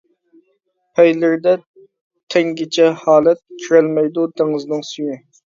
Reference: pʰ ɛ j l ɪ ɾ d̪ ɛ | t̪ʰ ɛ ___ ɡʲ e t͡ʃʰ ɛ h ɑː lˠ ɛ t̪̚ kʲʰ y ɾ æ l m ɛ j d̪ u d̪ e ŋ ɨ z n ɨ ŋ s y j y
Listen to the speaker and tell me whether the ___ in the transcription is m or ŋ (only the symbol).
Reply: ŋ